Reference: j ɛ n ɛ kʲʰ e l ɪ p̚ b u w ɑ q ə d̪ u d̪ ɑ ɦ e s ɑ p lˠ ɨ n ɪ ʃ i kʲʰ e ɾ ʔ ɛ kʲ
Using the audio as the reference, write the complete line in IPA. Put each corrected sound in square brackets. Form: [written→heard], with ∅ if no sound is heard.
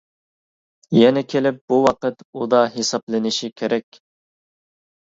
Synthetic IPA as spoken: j ɛ n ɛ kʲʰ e l ɪ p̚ b u w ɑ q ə [d̪→t̪] u d̪ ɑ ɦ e s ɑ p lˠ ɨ n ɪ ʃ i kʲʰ e ɾ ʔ ɛ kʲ